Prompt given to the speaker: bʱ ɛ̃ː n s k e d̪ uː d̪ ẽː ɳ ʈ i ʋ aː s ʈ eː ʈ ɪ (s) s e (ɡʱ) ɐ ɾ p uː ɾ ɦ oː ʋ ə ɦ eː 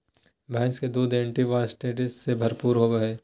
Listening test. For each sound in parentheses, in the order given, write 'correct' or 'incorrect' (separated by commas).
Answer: correct, incorrect